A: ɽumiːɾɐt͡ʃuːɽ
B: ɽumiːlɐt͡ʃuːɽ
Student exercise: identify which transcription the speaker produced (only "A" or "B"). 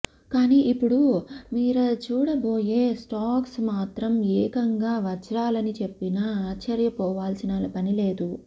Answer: A